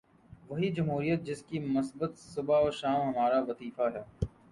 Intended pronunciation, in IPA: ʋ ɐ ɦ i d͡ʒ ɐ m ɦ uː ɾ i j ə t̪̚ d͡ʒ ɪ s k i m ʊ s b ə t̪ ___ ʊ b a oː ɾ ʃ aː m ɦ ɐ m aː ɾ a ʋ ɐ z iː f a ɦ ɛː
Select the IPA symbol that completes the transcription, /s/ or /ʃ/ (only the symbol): s